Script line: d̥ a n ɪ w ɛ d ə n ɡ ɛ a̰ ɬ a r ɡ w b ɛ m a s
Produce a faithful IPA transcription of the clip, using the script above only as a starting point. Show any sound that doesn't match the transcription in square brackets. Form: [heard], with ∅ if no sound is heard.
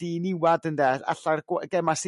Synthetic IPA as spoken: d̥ [i] n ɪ w [a] d ə n [d] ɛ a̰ ɬ a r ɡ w [ɡ] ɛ m a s